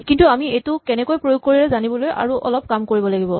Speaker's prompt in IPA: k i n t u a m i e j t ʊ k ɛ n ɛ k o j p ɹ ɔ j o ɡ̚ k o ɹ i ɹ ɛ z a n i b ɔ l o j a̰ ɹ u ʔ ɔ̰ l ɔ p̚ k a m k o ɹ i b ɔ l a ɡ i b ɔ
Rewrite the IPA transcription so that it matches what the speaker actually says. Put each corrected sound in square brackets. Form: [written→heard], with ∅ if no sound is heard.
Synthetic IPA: k i n t u a m i e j t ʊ k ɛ n ɛ k o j p ɹ [ɔ→o] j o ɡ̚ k o ɹ i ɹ ɛ z a n i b ɔ l o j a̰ ɹ u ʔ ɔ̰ l ɔ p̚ k a m k o ɹ i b ɔ l a ɡ i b ɔ